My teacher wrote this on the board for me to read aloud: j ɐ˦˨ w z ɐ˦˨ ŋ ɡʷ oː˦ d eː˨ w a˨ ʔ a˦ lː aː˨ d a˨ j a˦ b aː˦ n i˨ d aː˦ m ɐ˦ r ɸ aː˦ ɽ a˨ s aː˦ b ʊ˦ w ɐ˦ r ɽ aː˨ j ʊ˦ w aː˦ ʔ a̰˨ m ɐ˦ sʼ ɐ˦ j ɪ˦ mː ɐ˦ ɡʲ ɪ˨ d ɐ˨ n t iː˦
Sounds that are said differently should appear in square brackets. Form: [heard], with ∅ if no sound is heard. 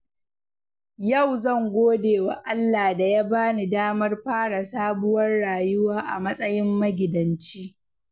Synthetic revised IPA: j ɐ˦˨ w z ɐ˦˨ ŋ ɡʷ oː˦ d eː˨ w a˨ ʔ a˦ lː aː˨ d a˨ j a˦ b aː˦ n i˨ d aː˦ m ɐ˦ r ɸ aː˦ ɽ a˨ s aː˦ b ʊ˦ w ɐ˦ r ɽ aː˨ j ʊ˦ w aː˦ ʔ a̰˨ m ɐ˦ sʼ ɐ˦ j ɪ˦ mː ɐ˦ ɡʲ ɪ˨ d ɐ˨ n [t͡ʃ] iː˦

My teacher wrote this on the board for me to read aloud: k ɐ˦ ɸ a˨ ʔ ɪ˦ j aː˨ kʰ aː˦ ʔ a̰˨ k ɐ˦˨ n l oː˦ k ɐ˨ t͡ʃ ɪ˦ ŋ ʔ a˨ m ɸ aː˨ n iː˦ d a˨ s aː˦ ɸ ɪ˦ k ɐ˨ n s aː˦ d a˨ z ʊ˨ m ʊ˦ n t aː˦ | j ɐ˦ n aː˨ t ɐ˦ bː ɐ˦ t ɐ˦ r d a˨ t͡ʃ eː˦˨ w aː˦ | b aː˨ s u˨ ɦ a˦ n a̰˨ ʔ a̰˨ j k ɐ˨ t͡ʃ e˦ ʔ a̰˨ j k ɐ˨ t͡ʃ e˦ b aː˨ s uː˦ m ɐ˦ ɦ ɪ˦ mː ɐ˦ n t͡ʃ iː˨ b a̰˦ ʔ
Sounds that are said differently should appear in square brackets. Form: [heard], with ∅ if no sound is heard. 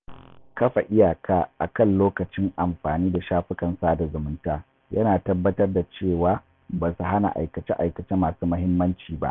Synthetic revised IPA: k ɐ˦ ɸ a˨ ʔ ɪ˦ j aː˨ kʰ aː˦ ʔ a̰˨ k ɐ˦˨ n l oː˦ k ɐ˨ t͡ʃ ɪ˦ ŋ ʔ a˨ m ɸ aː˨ n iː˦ d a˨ [ʃ] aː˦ ɸ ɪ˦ k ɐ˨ n s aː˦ d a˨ z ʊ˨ m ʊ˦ n t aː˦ | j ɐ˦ n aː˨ t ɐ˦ bː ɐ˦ t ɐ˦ r d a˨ t͡ʃ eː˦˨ w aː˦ | b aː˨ s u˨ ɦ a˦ n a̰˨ ʔ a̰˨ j k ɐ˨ t͡ʃ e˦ ʔ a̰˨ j k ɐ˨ t͡ʃ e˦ [m] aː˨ s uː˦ m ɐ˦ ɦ ɪ˦ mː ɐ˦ n t͡ʃ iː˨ b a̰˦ ʔ

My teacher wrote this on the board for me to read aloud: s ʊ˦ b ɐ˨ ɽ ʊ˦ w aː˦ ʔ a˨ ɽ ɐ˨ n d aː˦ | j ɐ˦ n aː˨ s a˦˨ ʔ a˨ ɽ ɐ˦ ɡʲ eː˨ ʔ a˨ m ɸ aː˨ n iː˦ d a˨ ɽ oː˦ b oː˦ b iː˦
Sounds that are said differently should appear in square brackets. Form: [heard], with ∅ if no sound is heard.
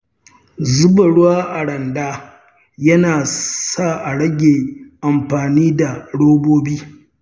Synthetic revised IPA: [z] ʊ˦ b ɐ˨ ɽ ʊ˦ w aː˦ ʔ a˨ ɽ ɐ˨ n d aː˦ | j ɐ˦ n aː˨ s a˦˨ ʔ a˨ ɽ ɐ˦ ɡʲ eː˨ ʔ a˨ m ɸ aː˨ n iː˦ d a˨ ɽ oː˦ b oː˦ b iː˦

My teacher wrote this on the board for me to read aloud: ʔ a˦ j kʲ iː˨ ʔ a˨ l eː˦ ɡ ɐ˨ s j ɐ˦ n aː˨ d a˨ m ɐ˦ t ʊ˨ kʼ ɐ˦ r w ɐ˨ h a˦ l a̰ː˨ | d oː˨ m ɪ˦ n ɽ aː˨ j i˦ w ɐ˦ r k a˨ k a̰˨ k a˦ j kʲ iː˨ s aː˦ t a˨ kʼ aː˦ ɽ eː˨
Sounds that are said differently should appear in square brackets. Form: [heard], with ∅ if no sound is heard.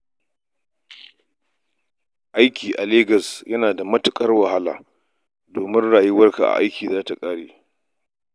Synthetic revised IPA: ʔ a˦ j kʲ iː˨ ʔ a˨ l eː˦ ɡ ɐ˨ s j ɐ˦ n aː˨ d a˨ m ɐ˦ t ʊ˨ kʼ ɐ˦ r w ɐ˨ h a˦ l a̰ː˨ | d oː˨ m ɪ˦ n ɽ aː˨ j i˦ w ɐ˦ r k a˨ [ʔ] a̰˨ [ʔ] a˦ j kʲ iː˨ [z] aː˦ t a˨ kʼ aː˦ ɽ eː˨

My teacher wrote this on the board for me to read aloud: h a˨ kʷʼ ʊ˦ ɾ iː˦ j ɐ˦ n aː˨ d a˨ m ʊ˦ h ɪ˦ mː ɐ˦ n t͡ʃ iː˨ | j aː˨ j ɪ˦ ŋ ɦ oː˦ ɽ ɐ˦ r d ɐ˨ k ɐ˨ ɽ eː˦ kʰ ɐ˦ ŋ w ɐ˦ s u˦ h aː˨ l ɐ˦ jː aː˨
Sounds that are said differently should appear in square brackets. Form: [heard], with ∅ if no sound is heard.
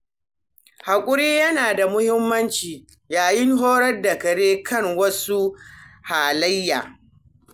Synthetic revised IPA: h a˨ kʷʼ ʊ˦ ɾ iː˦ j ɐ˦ n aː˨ d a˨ m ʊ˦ h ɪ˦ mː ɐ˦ n t͡ʃ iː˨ | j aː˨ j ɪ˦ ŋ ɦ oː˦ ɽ ɐ˦ r d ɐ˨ k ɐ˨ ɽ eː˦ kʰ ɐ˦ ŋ w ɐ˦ s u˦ h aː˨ l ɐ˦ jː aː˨

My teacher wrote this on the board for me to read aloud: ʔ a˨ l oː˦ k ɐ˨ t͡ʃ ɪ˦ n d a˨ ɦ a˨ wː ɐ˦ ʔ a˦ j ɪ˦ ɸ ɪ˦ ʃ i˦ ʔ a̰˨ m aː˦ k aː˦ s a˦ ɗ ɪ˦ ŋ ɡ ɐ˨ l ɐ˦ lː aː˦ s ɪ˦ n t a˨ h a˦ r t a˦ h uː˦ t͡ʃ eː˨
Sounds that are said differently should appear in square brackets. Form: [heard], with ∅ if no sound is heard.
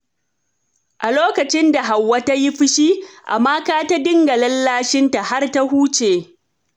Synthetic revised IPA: ʔ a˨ l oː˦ k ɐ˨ t͡ʃ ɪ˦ n d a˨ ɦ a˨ wː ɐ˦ [t] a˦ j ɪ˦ ɸ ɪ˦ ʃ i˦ ʔ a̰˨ m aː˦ k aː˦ [t] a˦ [d] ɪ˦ ŋ ɡ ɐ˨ l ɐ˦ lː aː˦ [ʃ] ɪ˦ n t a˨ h a˦ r t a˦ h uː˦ t͡ʃ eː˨

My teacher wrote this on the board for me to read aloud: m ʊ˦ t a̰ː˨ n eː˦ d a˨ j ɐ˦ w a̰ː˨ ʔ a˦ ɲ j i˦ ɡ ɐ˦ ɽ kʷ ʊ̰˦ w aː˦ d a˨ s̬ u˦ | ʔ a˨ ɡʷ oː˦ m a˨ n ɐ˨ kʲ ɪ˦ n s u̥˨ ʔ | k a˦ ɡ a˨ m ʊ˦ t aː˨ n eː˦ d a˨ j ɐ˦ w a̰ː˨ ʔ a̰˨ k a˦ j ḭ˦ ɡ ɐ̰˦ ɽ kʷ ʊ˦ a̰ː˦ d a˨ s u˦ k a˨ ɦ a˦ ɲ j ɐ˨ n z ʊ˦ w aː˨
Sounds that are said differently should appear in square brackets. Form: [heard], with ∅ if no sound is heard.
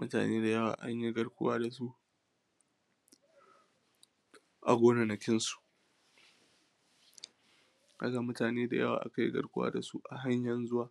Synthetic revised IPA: m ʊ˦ t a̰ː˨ n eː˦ d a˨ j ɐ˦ w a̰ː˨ ʔ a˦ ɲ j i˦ ɡ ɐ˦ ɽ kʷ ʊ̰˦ w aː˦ d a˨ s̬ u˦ | ʔ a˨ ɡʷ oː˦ [n] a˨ n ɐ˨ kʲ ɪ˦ n s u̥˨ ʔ | k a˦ ɡ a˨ m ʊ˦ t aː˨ n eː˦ d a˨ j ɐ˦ w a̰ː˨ ʔ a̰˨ k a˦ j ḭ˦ ɡ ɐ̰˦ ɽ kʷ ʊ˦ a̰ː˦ d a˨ s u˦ [ʔ] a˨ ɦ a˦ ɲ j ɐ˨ n z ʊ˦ w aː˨

